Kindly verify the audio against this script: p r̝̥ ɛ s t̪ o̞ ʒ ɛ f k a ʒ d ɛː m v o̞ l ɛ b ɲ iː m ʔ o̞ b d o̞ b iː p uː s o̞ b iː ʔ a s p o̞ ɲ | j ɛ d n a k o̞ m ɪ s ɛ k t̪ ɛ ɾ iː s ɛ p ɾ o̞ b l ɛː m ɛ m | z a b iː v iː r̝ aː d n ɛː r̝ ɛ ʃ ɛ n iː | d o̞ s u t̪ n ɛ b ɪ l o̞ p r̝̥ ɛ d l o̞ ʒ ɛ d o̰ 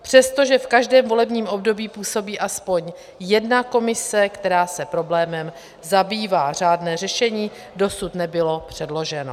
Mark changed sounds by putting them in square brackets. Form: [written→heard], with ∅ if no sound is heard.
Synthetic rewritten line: p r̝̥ ɛ s t̪ o̞ ʒ ɛ f k a ʒ d ɛː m v o̞ l ɛ b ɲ iː m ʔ o̞ b d o̞ b iː p uː s o̞ b iː ʔ a s p o̞ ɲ | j ɛ d n a k o̞ m ɪ s ɛ k t̪ ɛ ɾ [iː→aː] s ɛ p ɾ o̞ b l ɛː m ɛ m | z a b iː v [iː→aː] r̝ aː d n ɛː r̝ ɛ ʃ ɛ [n→ɲ] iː | d o̞ s u t̪ n ɛ b ɪ l o̞ p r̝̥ ɛ d l o̞ ʒ ɛ [d→n] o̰